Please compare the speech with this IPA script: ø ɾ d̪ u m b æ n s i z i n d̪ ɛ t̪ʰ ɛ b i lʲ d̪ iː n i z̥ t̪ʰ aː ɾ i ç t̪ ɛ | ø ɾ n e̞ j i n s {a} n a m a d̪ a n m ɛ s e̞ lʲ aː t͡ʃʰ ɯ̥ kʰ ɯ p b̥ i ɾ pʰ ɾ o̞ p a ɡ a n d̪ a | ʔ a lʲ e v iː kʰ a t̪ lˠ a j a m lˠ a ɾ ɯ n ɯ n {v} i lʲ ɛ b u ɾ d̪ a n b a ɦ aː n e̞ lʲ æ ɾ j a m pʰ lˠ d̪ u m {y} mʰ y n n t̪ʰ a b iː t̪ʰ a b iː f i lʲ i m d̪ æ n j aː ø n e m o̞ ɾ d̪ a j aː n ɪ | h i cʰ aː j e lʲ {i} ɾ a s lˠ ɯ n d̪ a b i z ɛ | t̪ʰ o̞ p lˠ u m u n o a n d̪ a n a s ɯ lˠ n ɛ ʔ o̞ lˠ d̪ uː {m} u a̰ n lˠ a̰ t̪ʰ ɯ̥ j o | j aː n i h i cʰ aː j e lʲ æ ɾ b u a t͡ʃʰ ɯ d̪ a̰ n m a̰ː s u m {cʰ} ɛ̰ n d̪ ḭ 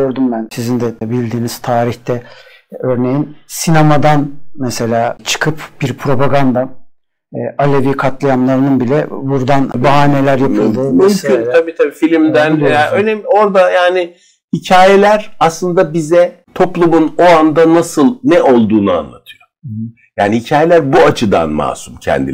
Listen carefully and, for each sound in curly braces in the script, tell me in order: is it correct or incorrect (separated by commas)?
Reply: incorrect, incorrect, correct, incorrect, incorrect, correct